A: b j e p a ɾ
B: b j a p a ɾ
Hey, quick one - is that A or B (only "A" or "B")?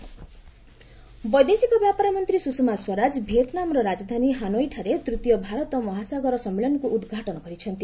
B